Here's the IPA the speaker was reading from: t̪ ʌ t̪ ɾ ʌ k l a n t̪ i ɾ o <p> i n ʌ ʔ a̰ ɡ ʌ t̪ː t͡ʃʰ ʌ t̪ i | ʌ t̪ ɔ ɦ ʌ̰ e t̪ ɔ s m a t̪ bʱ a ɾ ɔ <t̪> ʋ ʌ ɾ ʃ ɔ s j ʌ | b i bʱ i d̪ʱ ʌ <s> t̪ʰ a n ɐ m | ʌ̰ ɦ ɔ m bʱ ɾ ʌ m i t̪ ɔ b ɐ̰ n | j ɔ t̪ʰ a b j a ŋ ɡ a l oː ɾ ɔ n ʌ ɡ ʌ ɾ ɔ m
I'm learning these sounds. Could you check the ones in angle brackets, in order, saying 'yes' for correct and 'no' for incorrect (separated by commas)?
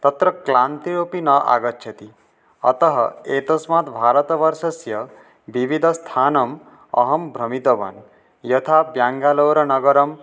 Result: yes, yes, yes